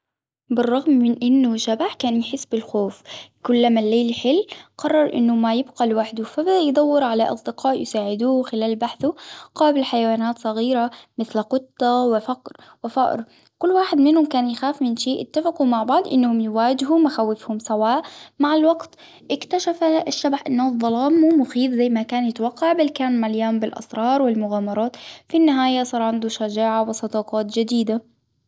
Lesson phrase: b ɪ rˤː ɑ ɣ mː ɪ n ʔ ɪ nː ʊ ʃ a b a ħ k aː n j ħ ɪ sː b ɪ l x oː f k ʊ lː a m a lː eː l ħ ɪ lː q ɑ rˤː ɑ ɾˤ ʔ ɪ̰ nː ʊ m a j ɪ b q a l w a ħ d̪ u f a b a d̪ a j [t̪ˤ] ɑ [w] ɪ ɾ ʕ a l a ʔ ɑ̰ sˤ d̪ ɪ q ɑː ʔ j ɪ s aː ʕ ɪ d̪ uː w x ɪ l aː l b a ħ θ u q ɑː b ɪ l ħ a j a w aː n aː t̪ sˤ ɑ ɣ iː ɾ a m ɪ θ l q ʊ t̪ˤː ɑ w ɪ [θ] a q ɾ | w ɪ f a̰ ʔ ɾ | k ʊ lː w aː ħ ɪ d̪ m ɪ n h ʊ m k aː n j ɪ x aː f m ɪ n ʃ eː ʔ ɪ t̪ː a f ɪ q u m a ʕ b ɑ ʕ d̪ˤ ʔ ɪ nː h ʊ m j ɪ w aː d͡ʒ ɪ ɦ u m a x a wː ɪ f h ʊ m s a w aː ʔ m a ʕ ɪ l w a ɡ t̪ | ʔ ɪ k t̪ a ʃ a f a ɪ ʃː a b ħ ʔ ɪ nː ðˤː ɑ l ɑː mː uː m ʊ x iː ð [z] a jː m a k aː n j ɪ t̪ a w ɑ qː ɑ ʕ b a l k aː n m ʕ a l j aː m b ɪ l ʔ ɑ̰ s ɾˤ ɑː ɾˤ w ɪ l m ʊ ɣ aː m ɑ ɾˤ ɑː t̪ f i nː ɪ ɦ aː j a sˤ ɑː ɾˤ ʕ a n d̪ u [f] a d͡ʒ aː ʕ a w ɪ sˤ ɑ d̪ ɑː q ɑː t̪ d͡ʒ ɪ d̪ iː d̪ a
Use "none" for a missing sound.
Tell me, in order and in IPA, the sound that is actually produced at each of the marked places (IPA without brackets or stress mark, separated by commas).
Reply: d̪ˤ, wː, f, z, ʃ